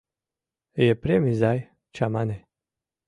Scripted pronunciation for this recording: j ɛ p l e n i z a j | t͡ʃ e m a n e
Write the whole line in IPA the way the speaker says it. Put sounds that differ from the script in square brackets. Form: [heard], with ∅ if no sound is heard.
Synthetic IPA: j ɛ p [ɾ] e [m] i z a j | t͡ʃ [a] m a n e

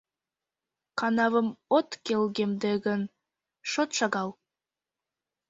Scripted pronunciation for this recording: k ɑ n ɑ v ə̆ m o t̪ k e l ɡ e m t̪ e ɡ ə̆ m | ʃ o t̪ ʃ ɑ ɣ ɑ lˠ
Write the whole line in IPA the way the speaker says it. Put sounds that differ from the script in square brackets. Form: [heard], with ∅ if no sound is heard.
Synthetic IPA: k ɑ n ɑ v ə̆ m o t̪ k e l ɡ e m [d̪] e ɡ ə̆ [n] | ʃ o t̪ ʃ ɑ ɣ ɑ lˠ

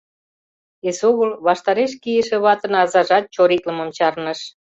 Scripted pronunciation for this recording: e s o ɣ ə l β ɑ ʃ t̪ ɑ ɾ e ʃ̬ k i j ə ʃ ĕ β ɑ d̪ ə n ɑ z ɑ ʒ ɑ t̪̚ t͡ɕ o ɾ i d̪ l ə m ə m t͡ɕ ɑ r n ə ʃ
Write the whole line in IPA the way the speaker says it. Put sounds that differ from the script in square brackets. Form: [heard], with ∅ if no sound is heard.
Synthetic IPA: e s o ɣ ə l β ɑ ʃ t̪ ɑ ɾ e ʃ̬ k i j ə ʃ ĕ β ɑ [t̪] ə n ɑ z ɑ ʒ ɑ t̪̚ t͡ɕ o ɾ i [t̪] l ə m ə m t͡ɕ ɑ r n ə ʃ

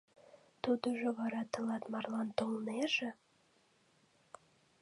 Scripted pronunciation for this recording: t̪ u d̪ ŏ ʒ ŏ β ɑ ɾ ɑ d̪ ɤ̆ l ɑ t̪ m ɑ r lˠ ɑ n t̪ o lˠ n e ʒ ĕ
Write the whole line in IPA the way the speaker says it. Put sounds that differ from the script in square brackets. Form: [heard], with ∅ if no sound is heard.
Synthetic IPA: t̪ u d̪ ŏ ʒ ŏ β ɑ ɾ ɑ [t̪] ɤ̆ l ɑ t̪ m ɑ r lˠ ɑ n t̪ o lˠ n e ʒ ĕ

